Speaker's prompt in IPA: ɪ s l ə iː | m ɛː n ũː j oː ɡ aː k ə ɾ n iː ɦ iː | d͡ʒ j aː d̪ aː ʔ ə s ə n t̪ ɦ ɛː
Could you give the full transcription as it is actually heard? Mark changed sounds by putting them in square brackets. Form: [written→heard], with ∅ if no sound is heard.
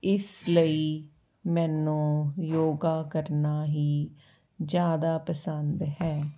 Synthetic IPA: ɪ s l ə iː | m ɛː n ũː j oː ɡ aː k ə ɾ n [iː→aː] ɦ iː | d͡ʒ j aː d̪ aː [ʔ→p] ə s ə n [t̪→d̪] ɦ ɛː